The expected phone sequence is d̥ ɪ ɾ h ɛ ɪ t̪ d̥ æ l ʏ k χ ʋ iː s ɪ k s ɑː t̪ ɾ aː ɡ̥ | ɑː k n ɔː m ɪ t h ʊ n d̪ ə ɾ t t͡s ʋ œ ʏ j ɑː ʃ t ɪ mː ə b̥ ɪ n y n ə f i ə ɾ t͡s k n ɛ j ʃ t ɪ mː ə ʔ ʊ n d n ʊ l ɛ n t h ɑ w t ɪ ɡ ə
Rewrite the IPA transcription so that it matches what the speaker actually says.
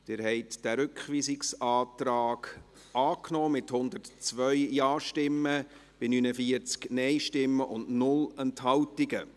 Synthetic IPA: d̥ ɪ ɾ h ɛ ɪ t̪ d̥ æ ɾ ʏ k χ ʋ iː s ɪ k s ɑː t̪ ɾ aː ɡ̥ | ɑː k n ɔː m ɪ t h ʊ n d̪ ə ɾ t t͡s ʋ œ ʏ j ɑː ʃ t ɪ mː ə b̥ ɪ n y n ə f i ə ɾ t͡s k n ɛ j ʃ t ɪ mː ə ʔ ʊ n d n ʊ l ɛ n t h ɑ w t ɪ ɡ ə